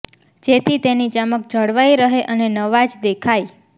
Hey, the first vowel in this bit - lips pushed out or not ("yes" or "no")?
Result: no